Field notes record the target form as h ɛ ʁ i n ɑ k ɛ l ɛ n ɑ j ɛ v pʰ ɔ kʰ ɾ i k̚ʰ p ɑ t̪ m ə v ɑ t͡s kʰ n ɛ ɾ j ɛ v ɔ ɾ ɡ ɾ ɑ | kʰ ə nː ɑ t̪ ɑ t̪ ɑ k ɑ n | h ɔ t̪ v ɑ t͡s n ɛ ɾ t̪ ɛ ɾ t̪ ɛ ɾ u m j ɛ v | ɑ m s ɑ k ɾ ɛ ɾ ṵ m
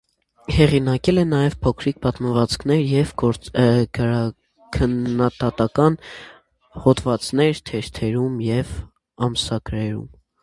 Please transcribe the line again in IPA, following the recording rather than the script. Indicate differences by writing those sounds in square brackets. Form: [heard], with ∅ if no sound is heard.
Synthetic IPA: h ɛ ʁ i n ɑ k ɛ l ɛ n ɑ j ɛ v pʰ ɔ kʰ ɾ i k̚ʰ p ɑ t̪ m ə v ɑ t͡s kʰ n ɛ ɾ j ɛ v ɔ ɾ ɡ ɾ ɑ | kʰ ə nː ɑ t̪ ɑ t̪ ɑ k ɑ n | h ɔ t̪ v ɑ t͡s n ɛ ɾ [t̪ʰ] ɛ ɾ [t̪ʰ] ɛ ɾ u m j ɛ v | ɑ m s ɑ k ɾ ɛ ɾ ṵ m